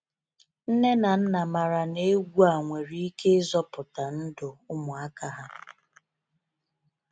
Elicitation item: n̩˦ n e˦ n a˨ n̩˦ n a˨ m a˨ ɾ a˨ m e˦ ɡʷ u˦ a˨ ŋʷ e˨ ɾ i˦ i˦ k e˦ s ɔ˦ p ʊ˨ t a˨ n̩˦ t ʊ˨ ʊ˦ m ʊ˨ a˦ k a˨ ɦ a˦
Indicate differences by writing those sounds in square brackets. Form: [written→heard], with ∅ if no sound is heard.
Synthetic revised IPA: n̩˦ n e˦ n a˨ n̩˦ n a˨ m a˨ ɾ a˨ [m→n] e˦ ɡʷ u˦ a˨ ŋʷ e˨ ɾ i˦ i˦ k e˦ [s→z] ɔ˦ p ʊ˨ t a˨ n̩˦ [t→d] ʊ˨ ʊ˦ m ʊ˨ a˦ k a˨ ɦ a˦